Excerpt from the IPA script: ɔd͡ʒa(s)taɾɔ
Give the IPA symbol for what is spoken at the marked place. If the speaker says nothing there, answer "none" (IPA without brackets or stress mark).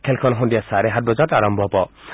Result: none